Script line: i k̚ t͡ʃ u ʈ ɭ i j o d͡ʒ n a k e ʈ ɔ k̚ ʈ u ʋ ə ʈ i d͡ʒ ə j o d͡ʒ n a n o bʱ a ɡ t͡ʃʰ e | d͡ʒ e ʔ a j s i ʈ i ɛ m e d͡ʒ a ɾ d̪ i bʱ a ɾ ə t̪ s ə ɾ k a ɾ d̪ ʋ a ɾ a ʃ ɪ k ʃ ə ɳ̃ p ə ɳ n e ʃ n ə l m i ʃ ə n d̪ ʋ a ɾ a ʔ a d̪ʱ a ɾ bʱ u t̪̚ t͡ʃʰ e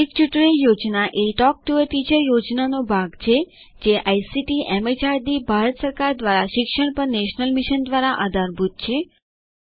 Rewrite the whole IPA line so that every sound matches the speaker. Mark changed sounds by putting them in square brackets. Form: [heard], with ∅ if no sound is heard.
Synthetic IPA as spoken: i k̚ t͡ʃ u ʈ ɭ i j o d͡ʒ n a [ʔ] e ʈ ɔ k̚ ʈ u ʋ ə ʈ i d͡ʒ ə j o d͡ʒ n a n o bʱ a ɡ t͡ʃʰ e | d͡ʒ e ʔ a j s i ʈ i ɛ m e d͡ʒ a ɾ d̪ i bʱ a ɾ ə t̪ s ə ɾ k a ɾ d̪ ʋ a ɾ a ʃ ɪ k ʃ ə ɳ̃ p ə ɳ n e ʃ n ə l m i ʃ ə n d̪ ʋ a ɾ a ʔ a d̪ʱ a ɾ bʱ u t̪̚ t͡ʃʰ e